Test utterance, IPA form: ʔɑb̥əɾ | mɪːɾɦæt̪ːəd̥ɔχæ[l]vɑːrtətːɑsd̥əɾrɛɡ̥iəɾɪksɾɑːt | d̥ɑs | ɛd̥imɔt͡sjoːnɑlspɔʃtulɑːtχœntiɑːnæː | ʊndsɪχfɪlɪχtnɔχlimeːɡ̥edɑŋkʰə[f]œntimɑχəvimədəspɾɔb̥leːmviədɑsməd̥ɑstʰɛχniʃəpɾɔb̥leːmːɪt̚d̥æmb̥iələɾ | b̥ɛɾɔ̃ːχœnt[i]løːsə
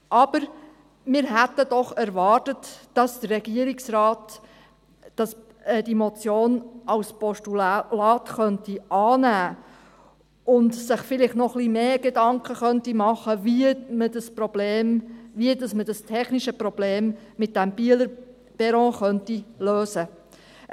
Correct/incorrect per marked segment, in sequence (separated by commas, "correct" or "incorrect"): incorrect, incorrect, correct